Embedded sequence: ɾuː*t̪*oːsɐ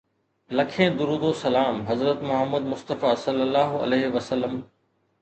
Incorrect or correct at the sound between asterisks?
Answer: incorrect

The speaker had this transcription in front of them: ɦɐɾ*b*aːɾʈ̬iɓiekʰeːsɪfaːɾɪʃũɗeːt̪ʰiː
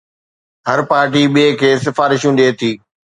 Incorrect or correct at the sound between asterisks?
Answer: incorrect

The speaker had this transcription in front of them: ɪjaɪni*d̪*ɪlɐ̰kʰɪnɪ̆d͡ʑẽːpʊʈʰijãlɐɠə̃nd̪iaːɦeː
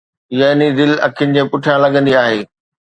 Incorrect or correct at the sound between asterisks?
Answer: correct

